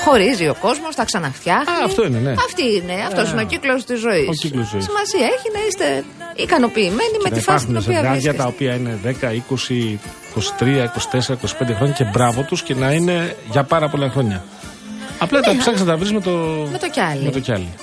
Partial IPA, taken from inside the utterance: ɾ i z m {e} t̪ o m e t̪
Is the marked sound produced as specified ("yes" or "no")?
yes